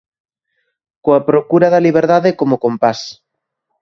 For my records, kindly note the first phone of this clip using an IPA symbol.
k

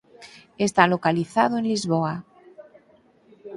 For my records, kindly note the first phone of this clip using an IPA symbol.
e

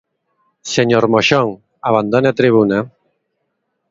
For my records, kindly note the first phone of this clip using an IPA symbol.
s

